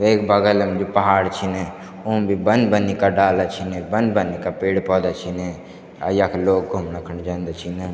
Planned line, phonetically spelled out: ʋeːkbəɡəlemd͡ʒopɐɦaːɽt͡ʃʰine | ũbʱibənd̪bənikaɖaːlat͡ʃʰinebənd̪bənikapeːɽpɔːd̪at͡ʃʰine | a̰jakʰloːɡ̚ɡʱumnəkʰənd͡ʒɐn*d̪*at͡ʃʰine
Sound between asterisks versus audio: correct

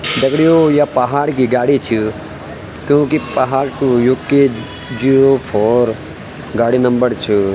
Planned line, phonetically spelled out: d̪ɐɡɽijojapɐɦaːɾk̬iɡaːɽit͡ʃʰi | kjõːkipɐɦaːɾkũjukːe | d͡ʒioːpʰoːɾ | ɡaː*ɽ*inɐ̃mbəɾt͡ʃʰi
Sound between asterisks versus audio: correct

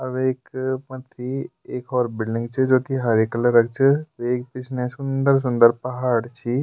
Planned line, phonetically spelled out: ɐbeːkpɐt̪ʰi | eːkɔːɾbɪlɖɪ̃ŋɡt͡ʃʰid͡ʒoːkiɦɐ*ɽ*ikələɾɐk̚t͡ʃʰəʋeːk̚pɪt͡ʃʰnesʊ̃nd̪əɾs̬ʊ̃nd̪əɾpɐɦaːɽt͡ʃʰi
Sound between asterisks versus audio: incorrect: ɾ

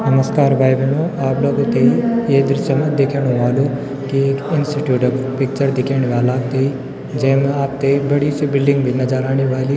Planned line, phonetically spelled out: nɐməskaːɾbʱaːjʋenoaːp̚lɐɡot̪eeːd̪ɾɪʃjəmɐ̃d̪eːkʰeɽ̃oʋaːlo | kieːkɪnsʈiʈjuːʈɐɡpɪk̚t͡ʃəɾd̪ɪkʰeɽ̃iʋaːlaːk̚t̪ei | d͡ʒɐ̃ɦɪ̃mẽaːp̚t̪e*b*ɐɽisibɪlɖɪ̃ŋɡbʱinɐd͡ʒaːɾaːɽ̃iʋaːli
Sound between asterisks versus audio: correct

